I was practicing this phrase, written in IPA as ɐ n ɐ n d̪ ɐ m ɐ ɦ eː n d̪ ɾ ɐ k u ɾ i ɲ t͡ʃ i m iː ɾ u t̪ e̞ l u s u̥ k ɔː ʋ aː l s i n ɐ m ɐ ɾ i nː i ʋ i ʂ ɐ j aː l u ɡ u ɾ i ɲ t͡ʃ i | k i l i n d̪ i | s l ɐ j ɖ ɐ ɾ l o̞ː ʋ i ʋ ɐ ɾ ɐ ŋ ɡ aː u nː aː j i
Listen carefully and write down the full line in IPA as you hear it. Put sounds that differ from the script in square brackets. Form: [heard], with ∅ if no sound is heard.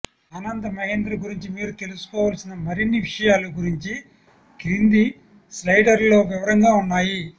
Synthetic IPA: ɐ n ɐ n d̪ ɐ m ɐ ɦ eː n d̪ ɾ ɐ [ɡ] u ɾ i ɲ t͡ʃ i m iː ɾ u t̪ e̞ l u s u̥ k ɔː ʋ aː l s i n ɐ m ɐ ɾ i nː i ʋ i ʂ ɐ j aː l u ɡ u ɾ i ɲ t͡ʃ i | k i [ɾ] i n d̪ i | s l ɐ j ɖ ɐ ɾ l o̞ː ʋ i ʋ ɐ ɾ ɐ ŋ ɡ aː u nː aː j i